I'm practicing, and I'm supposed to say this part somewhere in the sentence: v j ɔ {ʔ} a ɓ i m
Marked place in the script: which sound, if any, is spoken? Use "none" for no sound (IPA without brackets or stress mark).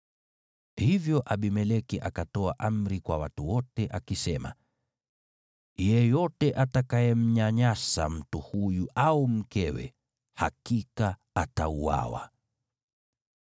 ʔ